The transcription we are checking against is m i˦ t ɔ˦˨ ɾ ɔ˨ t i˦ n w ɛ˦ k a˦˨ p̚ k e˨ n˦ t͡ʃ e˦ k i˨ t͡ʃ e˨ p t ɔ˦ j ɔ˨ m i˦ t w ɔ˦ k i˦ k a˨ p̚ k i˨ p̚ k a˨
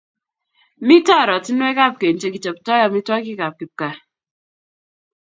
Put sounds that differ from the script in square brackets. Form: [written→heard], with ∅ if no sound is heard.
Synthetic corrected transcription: m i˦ t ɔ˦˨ ɾ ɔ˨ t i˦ n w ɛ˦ k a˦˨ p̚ k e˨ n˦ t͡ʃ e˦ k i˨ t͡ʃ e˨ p t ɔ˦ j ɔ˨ m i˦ t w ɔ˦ k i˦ k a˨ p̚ k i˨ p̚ k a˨